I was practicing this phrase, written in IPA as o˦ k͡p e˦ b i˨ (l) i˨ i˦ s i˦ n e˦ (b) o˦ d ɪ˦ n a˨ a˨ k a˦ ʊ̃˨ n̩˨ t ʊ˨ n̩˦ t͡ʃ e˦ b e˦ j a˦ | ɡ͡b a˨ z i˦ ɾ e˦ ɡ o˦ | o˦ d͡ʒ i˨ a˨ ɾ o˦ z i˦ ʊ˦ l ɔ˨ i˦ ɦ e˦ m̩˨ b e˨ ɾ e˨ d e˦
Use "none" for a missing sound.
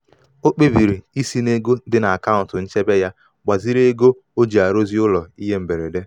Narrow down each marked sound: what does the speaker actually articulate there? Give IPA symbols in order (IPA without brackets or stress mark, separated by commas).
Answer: ɾ, ɡ